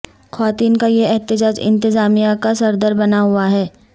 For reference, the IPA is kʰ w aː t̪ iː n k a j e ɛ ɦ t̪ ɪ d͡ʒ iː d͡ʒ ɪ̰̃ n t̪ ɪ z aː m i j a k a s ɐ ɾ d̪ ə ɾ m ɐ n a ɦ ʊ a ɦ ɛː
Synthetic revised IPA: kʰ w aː t̪ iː n k a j e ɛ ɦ t̪ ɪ d͡ʒ aː d͡ʒ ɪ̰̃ n t̪ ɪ z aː m i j a k a s ɐ ɾ d̪ ə ɾ b ɐ n a ɦ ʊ a ɦ ɛː